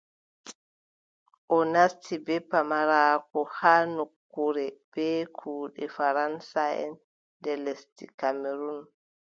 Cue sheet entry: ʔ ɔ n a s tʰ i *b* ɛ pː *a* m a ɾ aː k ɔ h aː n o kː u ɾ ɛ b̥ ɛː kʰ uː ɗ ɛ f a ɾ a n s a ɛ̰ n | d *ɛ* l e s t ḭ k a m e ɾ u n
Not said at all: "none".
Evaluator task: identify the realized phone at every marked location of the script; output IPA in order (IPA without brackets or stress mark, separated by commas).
b, a, ɛ